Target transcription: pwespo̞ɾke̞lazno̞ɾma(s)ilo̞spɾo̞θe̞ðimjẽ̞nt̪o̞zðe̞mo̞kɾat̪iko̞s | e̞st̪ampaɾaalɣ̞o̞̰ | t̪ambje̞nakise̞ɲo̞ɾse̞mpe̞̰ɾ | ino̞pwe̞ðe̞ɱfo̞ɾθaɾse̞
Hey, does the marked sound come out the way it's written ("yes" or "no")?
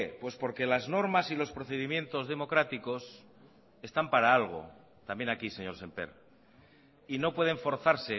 yes